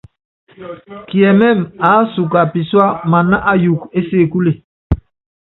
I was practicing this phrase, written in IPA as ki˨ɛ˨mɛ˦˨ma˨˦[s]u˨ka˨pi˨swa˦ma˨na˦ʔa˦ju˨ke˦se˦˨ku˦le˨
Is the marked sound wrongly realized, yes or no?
no